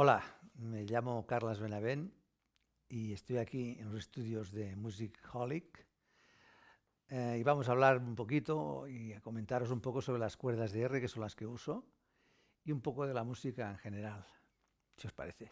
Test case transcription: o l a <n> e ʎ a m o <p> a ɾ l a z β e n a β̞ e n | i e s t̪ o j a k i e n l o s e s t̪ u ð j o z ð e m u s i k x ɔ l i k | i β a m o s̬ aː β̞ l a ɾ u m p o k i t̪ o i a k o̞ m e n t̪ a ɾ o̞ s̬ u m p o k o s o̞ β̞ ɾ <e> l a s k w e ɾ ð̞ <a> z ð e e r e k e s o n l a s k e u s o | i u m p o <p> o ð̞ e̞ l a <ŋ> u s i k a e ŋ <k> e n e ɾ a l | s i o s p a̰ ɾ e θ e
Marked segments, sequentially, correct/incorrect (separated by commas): incorrect, incorrect, correct, correct, incorrect, incorrect, incorrect